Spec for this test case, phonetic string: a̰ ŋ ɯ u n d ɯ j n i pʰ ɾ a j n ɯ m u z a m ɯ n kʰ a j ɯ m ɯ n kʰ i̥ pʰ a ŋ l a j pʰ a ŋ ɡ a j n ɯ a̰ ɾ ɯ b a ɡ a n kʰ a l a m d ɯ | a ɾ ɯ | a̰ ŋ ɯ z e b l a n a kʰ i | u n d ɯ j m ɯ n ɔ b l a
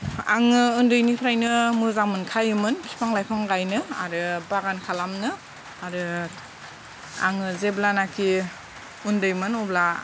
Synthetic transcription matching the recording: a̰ ŋ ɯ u n d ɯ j n i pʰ ɾ a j n ɯ m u z a m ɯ n kʰ a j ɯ m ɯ n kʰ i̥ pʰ a ŋ l a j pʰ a ŋ ɡ a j n ɯ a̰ ɾ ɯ b a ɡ a n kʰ a l a m n ɯ | a ɾ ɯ | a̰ ŋ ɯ z e b l a n a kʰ i | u n d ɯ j m ɯ n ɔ b l a